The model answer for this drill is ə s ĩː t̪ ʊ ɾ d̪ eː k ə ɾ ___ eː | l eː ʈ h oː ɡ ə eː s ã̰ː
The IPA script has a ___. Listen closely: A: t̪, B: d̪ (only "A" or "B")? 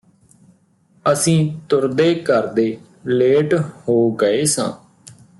B